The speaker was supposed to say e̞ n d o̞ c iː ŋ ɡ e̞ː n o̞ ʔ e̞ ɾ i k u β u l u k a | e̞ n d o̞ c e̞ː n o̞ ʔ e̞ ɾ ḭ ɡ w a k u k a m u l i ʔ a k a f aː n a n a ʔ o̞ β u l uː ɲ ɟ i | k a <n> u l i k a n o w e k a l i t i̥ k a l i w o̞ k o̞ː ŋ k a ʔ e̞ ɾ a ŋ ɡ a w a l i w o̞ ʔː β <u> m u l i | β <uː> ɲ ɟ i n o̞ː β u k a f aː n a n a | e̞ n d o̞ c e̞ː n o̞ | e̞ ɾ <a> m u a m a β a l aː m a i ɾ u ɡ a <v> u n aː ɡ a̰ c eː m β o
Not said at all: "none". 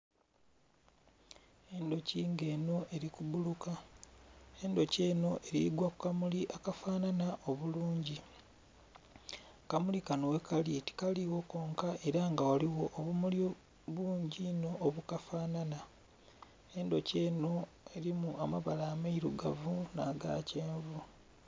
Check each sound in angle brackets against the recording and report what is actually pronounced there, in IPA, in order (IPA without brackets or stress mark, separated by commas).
m, u, uː, i, v